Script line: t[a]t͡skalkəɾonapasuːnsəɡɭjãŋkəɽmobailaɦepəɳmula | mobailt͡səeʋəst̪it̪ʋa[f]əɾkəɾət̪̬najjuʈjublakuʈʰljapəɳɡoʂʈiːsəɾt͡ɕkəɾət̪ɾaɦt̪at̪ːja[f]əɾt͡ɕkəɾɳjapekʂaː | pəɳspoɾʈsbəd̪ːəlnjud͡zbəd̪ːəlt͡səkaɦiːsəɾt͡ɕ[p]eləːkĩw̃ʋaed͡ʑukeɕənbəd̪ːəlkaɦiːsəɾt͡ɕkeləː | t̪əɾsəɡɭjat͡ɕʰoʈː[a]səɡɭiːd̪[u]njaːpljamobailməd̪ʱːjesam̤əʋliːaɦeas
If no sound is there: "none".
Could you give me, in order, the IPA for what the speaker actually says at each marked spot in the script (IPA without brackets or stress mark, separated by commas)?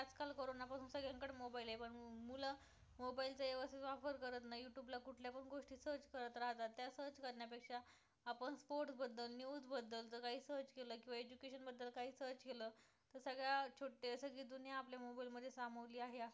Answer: a, f, s, k, e, u